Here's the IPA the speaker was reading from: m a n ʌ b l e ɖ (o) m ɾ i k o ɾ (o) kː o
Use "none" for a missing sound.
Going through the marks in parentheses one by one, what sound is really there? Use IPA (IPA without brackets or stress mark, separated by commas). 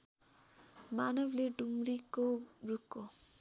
u, u